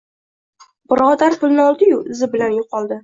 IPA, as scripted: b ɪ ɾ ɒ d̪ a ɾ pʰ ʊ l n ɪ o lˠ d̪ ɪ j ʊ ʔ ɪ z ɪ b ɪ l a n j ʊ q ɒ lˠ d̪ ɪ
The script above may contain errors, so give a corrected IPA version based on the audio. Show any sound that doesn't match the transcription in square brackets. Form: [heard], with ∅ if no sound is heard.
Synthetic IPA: b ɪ ɾ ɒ d̪ a ɾ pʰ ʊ l n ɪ [ɒ] lˠ d̪ ɪ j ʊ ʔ ɪ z ɪ b ɪ l a n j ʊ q ɒ lˠ d̪ ɪ